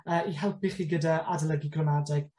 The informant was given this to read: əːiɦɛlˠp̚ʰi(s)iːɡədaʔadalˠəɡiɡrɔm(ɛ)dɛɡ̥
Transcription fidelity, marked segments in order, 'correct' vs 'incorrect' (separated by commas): incorrect, incorrect